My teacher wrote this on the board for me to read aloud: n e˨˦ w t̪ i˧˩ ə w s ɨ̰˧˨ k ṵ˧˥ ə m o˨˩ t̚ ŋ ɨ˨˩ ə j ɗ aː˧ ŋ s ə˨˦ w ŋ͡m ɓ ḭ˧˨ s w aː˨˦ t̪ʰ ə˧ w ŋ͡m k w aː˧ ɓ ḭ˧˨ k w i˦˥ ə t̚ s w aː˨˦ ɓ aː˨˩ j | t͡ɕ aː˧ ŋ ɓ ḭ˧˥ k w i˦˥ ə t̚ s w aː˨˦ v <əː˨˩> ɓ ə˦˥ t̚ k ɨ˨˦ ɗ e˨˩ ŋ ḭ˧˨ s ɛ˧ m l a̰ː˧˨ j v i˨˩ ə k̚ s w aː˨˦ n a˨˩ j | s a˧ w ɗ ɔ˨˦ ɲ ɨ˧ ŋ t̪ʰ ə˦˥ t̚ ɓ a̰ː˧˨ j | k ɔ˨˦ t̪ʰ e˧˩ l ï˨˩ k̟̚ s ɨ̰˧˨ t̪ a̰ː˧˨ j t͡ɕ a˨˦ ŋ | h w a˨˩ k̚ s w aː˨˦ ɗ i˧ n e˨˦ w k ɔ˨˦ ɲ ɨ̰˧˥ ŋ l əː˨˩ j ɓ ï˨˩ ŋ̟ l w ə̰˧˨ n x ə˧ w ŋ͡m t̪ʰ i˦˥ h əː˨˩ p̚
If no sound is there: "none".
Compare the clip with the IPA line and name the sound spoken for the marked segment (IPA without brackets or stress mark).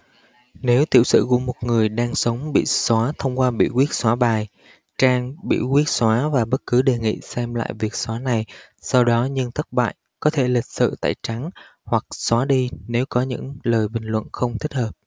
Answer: aː˨˩